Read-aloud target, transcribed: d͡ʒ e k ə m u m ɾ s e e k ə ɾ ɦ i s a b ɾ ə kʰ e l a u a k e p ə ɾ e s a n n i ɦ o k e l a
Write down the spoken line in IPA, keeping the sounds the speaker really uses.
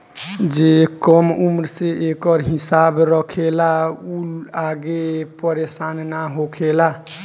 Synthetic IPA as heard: d͡ʒ e k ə m u m ɾ s e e k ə ɾ ɦ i s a b ɾ ə kʰ e l a u a ɡ e p ə ɾ e s a n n a ɦ o kʰ e l a